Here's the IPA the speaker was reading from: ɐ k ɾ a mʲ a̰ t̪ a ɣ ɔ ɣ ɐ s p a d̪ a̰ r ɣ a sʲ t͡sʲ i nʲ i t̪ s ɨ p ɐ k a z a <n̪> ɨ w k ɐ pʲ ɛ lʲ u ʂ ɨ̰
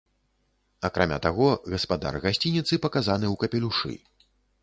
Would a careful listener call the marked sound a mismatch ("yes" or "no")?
no